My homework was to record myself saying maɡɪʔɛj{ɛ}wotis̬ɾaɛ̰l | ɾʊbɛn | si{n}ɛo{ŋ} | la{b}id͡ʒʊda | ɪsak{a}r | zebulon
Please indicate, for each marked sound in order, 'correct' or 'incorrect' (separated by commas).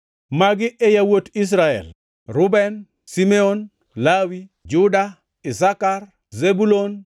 incorrect, incorrect, incorrect, incorrect, correct